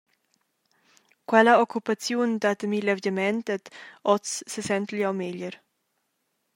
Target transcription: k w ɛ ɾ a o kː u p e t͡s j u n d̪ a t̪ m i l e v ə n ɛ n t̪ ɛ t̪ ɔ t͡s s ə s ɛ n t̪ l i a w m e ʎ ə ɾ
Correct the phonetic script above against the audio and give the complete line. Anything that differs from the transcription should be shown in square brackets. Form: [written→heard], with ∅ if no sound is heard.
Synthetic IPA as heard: k w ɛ [ɾ→l] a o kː u p [e→a] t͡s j u n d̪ a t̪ m i l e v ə [n→m] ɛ n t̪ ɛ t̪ ɔ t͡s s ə s ɛ n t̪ l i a w m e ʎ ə ɾ